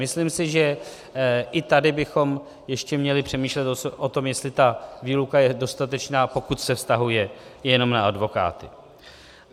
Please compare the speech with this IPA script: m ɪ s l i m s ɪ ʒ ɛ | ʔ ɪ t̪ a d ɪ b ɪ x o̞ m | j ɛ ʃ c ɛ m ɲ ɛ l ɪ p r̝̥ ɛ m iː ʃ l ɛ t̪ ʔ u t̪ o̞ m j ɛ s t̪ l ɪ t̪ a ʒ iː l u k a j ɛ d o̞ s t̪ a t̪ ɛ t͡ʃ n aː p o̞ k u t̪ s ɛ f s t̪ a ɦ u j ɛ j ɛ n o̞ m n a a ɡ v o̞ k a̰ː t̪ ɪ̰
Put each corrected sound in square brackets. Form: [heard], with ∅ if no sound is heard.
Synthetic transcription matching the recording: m ɪ s l i m s ɪ ʒ ɛ | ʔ ɪ t̪ a d ɪ b ɪ x o̞ m | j ɛ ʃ c ɛ m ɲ ɛ l ɪ p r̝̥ ɛ m iː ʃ l ɛ t̪ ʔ [o] t̪ o̞ m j ɛ s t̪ l ɪ t̪ a [v] iː l u k a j ɛ d o̞ s t̪ a t̪ ɛ t͡ʃ n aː p o̞ k u t̪ s ɛ f s t̪ a ɦ u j ɛ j ɛ n o̞ m n a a [d] v o̞ k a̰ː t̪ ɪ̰